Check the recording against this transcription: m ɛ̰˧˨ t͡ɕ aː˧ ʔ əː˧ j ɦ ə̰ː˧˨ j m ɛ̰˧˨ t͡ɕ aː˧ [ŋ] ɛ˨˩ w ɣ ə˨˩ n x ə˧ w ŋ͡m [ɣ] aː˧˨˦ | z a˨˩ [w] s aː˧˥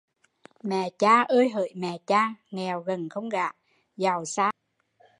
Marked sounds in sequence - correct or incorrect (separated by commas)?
correct, correct, correct